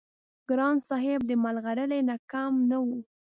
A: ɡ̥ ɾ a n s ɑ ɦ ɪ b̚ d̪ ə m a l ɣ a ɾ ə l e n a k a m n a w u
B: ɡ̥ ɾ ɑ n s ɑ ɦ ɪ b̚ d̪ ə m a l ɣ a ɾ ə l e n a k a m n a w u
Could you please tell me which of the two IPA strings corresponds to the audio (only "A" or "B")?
B